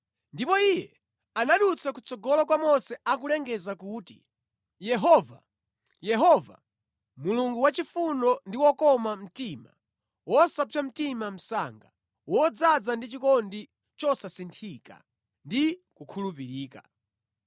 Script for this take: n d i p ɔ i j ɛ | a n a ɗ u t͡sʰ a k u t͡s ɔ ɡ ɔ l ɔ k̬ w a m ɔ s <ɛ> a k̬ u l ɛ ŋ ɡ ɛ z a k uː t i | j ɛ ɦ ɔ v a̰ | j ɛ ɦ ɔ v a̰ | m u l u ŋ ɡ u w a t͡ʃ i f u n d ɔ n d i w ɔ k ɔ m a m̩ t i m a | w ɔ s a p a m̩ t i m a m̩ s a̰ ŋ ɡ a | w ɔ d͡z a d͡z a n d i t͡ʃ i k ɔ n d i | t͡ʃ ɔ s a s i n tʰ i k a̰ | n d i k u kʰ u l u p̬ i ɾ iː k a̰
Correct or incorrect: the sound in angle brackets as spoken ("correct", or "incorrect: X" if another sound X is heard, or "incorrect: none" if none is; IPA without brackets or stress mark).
correct